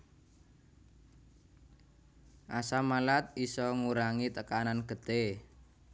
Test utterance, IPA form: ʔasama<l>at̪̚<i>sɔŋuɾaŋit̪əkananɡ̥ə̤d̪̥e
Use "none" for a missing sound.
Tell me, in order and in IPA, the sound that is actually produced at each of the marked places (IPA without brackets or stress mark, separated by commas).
l, i